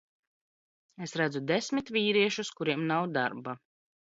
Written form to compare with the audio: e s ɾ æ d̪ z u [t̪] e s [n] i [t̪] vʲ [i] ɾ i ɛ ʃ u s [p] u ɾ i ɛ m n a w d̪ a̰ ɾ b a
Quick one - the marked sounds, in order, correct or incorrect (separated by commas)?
incorrect, incorrect, correct, incorrect, incorrect